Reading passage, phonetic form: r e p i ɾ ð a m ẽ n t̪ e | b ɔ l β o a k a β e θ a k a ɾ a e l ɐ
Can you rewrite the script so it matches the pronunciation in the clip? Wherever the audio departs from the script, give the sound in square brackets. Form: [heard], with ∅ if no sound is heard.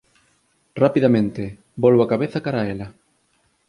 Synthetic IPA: r [a] p i [∅] ð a m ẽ n t̪ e | b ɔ l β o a k a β e θ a k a ɾ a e l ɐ